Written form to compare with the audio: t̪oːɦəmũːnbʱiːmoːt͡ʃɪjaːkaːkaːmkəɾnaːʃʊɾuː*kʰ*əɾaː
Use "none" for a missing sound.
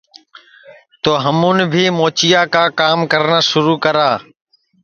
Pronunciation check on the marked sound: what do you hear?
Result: k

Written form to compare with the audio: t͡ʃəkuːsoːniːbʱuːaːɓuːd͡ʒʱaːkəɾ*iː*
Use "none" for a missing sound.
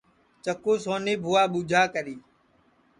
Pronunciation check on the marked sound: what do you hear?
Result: iː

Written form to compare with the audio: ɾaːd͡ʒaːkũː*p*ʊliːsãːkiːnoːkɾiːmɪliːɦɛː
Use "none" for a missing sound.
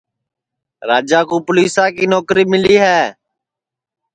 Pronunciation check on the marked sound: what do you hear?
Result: p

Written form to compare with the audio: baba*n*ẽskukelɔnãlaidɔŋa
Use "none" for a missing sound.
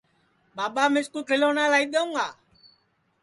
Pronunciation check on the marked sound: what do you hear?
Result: m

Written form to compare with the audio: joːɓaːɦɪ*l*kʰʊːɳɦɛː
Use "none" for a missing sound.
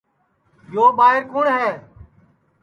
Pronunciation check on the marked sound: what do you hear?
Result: ɾ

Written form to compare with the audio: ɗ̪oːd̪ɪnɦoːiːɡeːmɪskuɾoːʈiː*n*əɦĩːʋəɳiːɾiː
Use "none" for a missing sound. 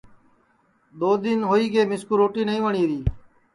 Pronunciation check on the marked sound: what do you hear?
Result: n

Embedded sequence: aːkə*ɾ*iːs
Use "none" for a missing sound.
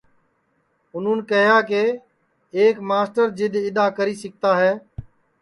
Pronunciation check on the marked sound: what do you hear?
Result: ɾ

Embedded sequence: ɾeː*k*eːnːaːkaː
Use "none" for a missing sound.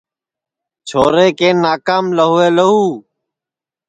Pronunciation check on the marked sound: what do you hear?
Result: k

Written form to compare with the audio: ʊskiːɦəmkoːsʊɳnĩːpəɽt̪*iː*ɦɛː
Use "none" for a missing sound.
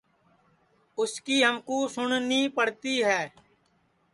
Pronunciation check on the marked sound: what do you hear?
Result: iː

